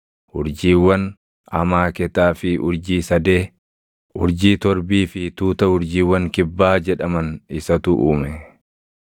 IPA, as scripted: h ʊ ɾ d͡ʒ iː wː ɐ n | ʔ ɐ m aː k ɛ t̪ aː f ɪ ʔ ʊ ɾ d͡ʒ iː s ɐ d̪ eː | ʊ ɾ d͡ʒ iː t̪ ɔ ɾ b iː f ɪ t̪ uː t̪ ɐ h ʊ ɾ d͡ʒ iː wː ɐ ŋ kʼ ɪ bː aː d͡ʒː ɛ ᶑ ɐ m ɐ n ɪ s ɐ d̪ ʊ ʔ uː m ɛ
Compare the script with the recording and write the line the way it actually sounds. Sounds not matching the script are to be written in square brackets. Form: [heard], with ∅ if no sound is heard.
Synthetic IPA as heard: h ʊ ɾ d͡ʒ iː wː ɐ n | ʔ ɐ m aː k ɛ t̪ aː f ɪ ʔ ʊ ɾ d͡ʒ iː s ɐ d̪ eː | ʊ ɾ d͡ʒ iː t̪ ɔ ɾ b iː f ɪ t̪ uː t̪ ɐ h ʊ ɾ d͡ʒ iː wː ɐ ŋ [k] ɪ bː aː [d͡ʒ] ɛ ᶑ ɐ m ɐ n ɪ s ɐ [t̪] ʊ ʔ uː m ɛ